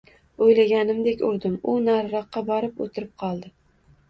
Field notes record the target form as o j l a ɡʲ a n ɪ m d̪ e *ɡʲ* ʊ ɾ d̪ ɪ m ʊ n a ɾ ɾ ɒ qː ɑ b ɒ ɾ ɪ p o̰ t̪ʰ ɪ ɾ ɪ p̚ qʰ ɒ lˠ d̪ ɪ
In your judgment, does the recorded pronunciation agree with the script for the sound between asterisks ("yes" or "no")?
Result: no